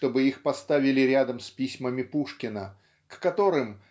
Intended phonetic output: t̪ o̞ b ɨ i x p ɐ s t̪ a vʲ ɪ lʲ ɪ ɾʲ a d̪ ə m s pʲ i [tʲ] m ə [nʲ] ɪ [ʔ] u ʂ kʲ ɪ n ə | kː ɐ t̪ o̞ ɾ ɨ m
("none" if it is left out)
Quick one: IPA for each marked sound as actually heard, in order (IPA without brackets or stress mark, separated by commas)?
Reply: sʲ, mʲ, p